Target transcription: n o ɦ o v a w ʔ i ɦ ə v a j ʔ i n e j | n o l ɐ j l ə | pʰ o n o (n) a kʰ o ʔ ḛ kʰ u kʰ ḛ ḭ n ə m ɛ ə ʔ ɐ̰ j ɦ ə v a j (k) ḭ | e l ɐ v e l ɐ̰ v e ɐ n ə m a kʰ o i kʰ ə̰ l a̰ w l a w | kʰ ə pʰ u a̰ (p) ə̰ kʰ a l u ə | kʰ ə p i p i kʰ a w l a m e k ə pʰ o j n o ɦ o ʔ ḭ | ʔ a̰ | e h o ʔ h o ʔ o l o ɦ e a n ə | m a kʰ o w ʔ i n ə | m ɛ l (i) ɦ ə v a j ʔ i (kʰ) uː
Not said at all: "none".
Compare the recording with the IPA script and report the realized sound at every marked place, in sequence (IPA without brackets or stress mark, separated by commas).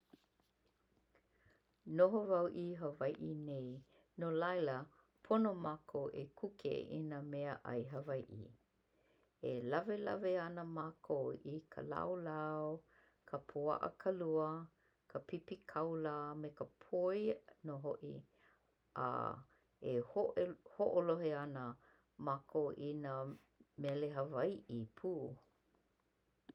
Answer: m, ʔ, ʔ, e, pʰ